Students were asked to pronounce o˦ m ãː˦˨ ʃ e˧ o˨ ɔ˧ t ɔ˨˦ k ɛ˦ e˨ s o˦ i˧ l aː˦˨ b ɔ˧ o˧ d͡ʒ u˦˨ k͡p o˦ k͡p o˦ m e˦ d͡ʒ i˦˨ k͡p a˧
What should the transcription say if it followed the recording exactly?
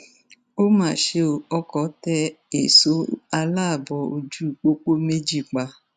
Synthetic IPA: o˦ m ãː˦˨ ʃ e˧ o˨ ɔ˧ k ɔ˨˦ t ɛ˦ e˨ s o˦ a˧ l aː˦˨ b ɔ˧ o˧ d͡ʒ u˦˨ k͡p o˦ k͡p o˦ m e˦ d͡ʒ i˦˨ k͡p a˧